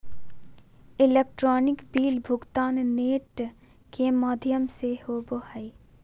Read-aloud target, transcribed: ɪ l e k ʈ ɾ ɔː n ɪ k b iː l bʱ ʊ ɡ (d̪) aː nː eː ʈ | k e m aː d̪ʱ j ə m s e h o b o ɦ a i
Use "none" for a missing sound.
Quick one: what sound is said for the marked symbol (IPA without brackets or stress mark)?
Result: t̪